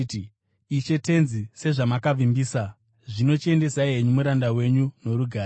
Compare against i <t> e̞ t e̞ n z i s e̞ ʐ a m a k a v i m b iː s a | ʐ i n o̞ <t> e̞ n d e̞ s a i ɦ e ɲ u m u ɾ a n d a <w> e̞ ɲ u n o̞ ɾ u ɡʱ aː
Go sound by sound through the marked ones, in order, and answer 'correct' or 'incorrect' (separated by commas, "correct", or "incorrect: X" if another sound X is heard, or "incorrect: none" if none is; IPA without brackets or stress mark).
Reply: incorrect: t͡ʃ, incorrect: t͡ʃ, correct